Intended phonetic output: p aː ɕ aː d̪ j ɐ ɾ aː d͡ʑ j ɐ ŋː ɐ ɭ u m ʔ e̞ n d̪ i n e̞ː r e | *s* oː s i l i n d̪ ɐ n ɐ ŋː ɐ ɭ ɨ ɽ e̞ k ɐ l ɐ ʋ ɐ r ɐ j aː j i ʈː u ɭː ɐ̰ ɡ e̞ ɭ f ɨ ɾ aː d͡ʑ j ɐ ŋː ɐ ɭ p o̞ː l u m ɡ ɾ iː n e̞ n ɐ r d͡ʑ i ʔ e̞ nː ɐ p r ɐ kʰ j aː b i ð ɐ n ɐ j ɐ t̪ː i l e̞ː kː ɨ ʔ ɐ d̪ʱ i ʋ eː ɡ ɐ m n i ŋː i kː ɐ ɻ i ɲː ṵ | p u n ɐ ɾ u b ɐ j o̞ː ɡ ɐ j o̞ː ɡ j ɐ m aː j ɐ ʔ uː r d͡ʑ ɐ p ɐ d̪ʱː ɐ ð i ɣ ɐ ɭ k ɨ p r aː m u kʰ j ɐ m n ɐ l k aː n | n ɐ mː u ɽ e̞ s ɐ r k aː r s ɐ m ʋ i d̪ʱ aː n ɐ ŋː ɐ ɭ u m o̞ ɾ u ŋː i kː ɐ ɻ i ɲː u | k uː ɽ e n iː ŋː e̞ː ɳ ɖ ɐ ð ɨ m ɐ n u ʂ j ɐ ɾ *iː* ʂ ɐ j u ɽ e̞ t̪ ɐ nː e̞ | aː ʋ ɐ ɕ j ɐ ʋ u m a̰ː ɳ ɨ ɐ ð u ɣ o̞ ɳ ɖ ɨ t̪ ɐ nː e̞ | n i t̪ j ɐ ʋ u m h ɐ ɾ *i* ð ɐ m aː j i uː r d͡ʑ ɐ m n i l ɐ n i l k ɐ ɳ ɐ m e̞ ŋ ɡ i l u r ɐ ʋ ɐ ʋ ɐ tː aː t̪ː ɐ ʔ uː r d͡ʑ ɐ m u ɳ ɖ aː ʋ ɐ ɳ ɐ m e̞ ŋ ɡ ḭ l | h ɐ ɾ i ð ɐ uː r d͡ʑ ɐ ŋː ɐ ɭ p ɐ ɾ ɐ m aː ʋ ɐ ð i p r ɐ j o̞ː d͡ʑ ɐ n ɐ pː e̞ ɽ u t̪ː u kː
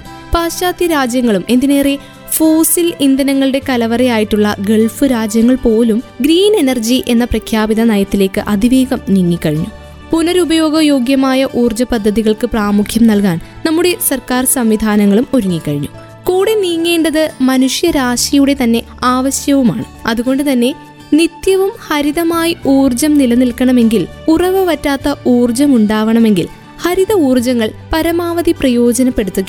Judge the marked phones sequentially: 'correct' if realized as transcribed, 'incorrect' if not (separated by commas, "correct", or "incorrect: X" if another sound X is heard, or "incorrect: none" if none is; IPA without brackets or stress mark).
incorrect: f, incorrect: aː, correct